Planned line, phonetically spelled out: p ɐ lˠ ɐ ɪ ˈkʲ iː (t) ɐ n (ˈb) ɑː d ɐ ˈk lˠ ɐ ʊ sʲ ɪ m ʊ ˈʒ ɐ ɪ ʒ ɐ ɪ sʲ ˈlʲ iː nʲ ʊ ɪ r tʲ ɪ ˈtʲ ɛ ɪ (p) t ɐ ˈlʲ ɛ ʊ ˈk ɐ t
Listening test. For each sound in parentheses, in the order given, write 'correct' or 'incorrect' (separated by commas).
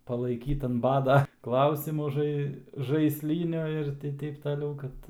correct, correct, correct